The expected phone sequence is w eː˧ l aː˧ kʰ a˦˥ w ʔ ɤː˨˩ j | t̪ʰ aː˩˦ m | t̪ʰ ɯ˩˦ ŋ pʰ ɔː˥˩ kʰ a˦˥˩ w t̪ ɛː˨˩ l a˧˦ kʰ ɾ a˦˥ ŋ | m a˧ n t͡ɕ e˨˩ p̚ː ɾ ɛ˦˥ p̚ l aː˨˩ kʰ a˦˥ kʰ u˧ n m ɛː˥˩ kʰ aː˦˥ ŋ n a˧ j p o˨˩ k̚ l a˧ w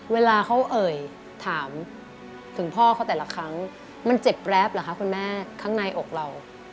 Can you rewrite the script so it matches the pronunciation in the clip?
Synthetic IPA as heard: w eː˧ l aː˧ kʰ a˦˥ w ʔ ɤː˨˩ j | t̪ʰ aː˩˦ m | t̪ʰ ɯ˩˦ ŋ pʰ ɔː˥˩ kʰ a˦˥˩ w t̪ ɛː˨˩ l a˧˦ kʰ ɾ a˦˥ ŋ | m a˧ n t͡ɕ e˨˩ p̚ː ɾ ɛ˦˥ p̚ l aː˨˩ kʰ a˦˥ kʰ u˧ n m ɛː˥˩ kʰ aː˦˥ ŋ n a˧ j ʔ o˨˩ k̚ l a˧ w